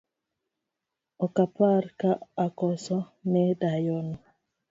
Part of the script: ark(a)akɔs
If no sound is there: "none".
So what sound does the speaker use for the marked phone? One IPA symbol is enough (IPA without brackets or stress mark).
a